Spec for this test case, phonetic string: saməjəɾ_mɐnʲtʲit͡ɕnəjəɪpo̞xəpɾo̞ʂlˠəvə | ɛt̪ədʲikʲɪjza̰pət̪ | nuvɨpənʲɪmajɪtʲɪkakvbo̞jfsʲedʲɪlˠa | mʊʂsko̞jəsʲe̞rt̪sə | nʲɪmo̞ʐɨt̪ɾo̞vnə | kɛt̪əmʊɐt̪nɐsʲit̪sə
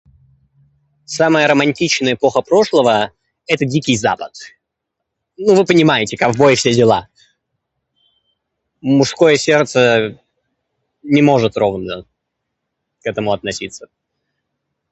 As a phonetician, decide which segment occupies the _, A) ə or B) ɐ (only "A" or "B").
A